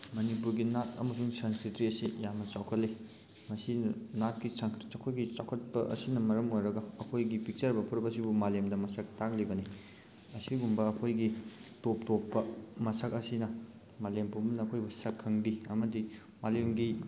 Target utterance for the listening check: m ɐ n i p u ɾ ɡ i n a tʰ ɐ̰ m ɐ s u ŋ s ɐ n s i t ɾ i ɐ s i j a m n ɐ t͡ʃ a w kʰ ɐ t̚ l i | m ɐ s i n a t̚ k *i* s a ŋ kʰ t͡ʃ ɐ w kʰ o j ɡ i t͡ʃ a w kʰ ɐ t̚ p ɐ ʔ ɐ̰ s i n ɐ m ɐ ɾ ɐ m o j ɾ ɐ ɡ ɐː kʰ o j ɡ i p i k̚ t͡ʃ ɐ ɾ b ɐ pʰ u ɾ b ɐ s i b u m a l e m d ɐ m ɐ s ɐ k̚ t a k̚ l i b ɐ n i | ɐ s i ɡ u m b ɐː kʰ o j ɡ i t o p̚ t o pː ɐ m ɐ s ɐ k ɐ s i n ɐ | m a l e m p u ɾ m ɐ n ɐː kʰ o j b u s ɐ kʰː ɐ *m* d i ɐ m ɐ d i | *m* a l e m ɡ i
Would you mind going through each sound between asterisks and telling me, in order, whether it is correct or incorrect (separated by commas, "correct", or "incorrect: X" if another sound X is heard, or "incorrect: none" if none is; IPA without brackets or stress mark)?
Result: correct, incorrect: ŋ, correct